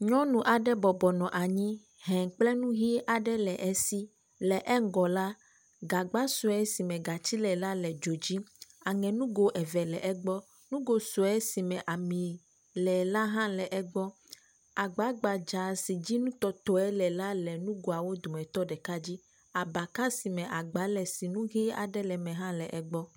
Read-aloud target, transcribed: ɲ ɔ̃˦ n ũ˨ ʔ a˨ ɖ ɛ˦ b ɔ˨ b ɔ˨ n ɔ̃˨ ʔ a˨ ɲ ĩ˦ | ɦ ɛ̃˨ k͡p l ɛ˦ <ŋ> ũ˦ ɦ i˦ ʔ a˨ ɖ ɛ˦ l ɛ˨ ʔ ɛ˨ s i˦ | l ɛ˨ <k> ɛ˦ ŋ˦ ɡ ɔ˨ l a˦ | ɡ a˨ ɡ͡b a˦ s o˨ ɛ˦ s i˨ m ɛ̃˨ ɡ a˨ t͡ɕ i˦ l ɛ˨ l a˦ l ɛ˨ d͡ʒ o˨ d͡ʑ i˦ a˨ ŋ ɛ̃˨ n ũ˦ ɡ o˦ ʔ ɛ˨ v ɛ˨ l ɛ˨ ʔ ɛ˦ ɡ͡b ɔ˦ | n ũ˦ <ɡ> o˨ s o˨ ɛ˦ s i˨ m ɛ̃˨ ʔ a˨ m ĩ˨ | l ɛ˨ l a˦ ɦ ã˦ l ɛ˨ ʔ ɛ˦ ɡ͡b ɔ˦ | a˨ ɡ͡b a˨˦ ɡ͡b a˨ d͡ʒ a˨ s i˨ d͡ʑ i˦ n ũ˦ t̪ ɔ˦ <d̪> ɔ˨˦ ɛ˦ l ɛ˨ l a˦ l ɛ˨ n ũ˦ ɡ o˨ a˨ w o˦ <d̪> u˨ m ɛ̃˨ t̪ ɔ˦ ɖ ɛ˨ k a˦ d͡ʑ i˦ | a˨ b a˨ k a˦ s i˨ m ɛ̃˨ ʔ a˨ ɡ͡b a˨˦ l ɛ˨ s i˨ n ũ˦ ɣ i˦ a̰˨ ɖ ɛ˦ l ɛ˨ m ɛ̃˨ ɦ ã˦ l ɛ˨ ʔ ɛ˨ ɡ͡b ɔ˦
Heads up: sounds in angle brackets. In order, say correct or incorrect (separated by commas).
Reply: incorrect, incorrect, correct, incorrect, correct